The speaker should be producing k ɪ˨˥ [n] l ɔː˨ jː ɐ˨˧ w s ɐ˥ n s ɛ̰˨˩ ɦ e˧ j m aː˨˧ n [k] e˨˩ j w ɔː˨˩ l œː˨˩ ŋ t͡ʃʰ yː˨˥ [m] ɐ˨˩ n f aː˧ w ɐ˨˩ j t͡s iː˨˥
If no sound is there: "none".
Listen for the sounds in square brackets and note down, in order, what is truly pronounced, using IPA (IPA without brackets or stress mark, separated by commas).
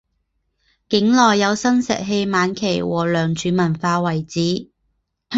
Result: ŋ, kʰ, m